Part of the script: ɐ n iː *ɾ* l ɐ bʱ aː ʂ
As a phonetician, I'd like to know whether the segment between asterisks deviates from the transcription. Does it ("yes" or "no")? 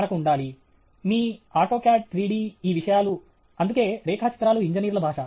no